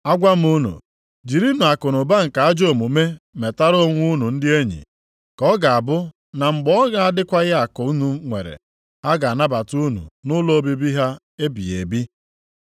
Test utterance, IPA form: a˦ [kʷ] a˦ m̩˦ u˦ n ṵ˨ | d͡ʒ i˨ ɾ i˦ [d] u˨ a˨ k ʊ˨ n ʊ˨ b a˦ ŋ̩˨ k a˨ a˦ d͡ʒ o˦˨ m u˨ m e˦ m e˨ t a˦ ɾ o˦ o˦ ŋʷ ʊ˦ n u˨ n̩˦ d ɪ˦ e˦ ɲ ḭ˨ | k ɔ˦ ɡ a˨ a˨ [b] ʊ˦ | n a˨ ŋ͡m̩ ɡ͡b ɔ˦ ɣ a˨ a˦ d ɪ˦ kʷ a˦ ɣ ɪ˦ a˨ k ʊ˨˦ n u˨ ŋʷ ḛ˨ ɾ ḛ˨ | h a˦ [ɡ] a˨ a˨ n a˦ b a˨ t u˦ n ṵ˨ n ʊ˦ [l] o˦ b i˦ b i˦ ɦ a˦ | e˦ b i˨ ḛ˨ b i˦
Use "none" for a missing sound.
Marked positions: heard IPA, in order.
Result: ɡʷ, n, b, ɡ, l

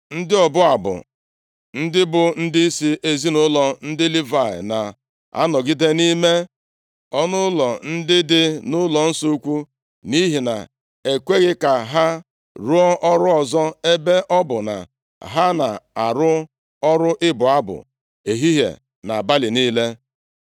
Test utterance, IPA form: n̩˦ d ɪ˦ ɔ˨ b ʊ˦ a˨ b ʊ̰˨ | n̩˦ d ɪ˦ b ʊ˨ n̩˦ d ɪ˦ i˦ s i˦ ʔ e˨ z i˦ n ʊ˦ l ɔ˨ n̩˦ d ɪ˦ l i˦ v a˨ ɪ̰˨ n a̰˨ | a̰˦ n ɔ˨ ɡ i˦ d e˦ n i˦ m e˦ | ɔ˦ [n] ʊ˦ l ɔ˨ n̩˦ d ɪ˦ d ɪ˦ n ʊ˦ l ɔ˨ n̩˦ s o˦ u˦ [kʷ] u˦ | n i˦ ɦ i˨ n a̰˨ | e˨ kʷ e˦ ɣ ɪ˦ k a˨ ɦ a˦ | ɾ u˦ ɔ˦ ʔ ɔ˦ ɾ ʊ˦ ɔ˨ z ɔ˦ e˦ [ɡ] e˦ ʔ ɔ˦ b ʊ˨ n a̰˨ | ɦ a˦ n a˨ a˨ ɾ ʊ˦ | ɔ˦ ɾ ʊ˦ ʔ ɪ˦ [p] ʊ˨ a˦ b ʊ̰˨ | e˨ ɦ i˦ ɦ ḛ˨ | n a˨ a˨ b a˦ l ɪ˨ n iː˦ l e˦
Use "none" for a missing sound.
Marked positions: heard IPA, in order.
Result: n, kʷ, b, b

